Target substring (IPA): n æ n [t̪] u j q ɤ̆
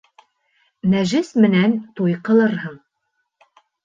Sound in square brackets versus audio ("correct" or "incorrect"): correct